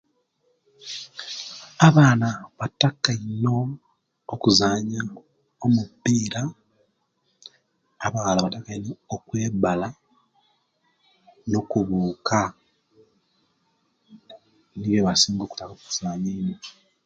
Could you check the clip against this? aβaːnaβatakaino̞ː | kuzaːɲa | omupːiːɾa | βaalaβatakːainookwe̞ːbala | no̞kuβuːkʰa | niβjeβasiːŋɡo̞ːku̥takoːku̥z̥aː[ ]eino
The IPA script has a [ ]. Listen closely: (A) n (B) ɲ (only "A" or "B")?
B